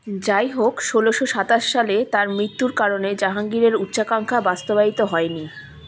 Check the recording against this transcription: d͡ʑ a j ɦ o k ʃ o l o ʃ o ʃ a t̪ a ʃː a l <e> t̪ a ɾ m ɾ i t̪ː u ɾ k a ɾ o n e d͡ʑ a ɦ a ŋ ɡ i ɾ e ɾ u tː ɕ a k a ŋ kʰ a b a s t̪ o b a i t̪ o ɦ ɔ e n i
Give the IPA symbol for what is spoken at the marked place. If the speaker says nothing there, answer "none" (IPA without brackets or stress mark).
e